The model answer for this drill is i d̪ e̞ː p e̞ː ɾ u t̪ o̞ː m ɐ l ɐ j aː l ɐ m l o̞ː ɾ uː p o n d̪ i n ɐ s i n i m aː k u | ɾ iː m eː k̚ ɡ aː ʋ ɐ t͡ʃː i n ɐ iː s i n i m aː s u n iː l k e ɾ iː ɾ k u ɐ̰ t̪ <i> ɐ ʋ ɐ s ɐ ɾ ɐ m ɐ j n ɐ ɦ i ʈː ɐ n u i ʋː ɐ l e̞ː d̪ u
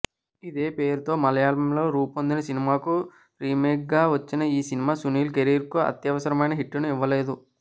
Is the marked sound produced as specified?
no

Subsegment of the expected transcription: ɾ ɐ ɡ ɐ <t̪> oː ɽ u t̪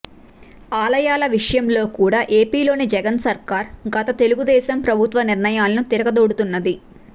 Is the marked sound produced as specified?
no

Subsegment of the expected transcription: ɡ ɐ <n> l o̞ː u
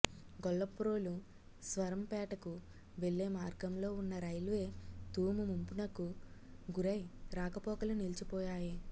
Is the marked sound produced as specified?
no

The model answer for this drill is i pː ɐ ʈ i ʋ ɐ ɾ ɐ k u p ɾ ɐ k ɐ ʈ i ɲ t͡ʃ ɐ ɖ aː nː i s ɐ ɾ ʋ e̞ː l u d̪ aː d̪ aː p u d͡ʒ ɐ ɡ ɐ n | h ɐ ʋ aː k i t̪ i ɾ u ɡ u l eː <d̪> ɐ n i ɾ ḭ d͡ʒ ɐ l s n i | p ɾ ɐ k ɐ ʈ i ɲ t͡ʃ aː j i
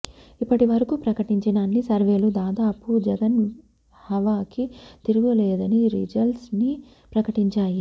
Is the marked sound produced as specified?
yes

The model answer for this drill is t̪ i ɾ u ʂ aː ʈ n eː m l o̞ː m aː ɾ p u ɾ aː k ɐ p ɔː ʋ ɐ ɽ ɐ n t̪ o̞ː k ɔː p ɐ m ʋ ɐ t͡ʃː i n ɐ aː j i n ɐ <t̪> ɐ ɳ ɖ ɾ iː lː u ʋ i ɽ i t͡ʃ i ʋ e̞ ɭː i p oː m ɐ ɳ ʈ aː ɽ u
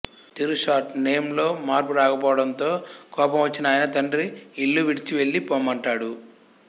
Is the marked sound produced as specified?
yes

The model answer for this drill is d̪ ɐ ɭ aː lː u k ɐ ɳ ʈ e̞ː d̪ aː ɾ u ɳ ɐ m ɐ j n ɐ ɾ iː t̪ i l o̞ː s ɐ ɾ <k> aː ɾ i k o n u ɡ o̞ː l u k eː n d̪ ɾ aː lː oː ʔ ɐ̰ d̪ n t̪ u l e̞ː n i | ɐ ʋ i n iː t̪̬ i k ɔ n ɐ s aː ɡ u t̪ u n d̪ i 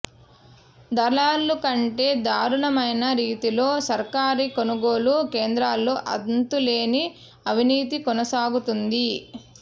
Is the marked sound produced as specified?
yes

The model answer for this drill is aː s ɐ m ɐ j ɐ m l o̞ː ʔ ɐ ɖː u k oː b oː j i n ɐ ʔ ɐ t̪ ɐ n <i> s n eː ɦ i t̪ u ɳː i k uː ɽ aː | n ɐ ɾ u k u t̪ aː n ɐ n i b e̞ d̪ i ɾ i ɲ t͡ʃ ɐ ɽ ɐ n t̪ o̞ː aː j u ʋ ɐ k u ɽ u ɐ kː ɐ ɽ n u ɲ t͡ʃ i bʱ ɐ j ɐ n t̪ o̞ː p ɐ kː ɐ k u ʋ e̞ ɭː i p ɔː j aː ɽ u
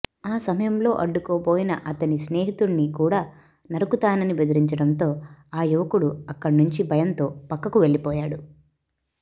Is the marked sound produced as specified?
yes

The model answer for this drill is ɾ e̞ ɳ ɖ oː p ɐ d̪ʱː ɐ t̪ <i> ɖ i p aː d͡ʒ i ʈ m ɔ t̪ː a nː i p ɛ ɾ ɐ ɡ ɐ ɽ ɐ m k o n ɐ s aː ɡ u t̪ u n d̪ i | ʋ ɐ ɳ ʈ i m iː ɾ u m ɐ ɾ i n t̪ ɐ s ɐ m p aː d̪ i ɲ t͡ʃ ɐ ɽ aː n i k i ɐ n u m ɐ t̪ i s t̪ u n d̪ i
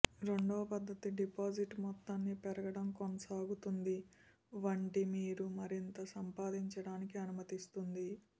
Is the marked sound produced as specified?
yes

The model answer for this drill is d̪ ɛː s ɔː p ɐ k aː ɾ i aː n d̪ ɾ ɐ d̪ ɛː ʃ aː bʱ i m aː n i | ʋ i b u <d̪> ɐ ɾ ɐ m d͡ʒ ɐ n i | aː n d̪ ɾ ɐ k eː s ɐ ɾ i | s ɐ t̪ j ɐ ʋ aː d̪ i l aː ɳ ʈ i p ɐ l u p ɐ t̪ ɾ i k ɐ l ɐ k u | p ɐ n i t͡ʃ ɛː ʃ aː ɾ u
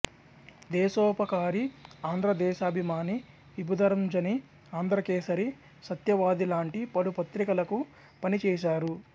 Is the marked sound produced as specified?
yes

